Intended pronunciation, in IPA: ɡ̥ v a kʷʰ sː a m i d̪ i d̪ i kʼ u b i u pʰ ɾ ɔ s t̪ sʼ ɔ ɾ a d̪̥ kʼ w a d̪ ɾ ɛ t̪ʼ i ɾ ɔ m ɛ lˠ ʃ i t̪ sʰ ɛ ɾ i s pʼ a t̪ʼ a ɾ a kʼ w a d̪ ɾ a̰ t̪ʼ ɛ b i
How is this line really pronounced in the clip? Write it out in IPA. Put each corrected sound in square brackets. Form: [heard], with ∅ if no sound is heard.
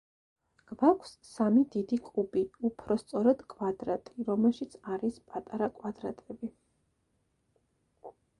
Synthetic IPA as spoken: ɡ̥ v a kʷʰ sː a m i d̪ i d̪ i kʼ u b i u pʰ ɾ ɔ s t̪ sʼ ɔ ɾ a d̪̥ kʼ w a d̪ ɾ [a] t̪ʼ i ɾ ɔ m ɛ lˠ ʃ i t̪ sʰ [a] ɾ i s pʼ a t̪ʼ a ɾ a kʼ w a d̪ ɾ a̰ t̪ʼ ɛ b i